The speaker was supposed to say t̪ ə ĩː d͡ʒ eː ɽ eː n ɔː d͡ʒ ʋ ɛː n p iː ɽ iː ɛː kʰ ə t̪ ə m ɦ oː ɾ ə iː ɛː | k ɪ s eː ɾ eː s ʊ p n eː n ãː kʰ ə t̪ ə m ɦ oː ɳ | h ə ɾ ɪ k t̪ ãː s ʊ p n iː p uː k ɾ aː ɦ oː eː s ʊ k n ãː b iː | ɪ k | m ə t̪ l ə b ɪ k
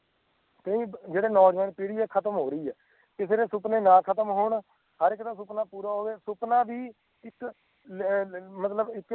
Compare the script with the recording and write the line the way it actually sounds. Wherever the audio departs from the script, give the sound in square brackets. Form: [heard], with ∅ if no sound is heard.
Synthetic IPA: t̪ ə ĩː d͡ʒ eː ɽ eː n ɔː d͡ʒ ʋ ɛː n p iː ɽ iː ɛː kʰ ə t̪ ə m ɦ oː ɾ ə iː ɛː | k ɪ s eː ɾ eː s ʊ p n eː n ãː kʰ ə t̪ ə m ɦ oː ɳ | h ə ɾ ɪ k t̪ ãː s ʊ p n [aː] p uː [∅] ɾ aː ɦ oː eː s ʊ [p] n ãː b iː | ɪ k | m ə t̪ l ə b ɪ k